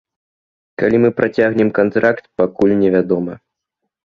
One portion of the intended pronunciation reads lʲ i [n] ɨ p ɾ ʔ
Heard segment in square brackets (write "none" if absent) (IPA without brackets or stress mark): m